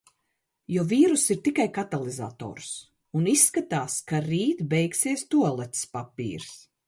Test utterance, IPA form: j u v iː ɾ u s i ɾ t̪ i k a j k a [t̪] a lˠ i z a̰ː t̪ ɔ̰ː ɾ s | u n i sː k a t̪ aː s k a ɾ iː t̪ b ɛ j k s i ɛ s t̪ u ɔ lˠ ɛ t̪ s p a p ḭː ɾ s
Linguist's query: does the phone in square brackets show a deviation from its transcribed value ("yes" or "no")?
no